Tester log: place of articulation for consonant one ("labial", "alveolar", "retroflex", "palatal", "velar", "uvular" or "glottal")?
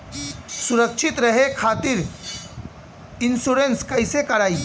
alveolar